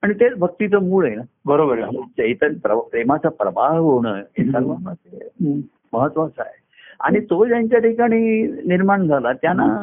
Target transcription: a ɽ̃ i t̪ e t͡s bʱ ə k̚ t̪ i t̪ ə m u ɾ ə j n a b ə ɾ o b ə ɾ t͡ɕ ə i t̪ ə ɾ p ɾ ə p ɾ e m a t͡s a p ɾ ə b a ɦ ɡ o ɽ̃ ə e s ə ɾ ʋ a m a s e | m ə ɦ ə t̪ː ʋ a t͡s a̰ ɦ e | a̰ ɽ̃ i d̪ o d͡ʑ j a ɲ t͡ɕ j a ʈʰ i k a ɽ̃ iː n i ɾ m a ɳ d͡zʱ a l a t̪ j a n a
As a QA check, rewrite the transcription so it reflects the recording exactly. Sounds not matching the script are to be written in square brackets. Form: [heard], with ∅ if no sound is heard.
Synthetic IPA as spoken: a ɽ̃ i t̪ e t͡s bʱ ə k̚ t̪ i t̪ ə m u [ɭ] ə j n a b ə ɾ o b ə ɾ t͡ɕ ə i t̪ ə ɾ p ɾ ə p ɾ e m a t͡s a p ɾ ə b a ɦ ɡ o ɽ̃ ə e s ə ɾ ʋ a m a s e | m ə ɦ ə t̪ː ʋ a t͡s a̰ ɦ e | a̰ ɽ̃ i [t̪] o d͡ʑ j a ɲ t͡ɕ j a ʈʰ i k a ɽ̃ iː n i ɾ m a ɳ d͡zʱ a l a t̪ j a n a